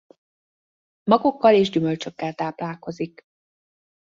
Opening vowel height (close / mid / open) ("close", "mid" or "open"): open